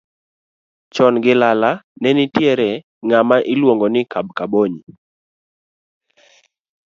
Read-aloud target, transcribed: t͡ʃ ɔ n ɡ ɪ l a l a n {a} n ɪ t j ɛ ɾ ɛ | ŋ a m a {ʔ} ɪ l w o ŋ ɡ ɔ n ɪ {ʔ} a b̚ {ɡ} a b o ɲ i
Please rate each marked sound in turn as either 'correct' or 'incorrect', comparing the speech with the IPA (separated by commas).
incorrect, correct, incorrect, incorrect